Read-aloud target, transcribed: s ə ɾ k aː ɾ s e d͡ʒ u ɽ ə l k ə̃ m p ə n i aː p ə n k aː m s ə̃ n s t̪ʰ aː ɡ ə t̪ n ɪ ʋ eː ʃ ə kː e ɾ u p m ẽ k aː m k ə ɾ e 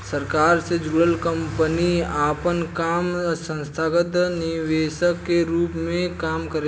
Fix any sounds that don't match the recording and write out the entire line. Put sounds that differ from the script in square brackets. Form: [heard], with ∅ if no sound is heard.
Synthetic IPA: s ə ɾ k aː ɾ s e d͡ʒ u ɽ ə l k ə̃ m p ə n i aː p ə n k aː m s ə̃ n s t̪ʰ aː ɡ ə t̪ n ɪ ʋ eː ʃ ə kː e ɾ [uː] p m ẽ k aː m k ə ɾ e